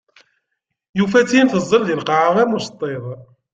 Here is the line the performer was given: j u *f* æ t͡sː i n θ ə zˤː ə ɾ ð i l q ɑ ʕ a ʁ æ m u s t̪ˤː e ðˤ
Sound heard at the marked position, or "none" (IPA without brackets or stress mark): f